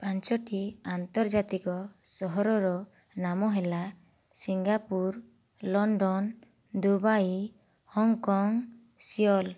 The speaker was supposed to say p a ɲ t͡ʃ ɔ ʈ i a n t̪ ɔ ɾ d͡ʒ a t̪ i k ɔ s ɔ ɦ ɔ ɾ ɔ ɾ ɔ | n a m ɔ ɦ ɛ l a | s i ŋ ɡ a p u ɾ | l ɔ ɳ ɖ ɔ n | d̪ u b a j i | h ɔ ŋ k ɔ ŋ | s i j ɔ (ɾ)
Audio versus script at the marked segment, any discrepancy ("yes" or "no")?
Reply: yes